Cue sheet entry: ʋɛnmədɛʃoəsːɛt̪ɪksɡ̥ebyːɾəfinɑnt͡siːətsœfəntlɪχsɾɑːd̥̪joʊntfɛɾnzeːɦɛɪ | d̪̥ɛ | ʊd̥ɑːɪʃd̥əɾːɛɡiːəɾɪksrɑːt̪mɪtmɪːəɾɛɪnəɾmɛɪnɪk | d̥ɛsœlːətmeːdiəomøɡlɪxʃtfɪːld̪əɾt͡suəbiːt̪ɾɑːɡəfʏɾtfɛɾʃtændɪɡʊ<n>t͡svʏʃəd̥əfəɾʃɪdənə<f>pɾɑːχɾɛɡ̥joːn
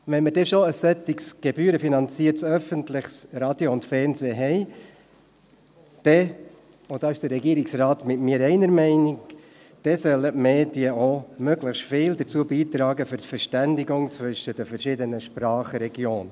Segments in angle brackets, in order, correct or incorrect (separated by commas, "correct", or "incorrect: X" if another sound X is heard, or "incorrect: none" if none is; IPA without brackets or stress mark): incorrect: ŋ, incorrect: ʃ